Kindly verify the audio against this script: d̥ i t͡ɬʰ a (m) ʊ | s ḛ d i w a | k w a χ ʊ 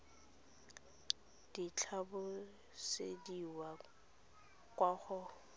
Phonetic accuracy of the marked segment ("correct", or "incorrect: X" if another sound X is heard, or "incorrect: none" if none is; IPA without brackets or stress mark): incorrect: b